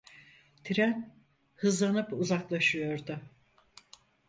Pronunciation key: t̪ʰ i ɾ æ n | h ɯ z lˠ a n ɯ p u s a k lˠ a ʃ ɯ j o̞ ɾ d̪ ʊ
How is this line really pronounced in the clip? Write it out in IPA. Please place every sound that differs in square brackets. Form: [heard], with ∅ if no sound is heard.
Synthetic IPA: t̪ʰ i ɾ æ n | h ɯ z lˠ a n ɯ p u [z] a k lˠ a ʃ ɯ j o̞ ɾ d̪ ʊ